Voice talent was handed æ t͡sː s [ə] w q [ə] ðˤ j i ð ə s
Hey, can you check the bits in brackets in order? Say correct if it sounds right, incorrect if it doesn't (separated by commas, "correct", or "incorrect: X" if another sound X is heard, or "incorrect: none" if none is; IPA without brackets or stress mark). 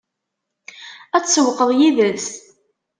correct, correct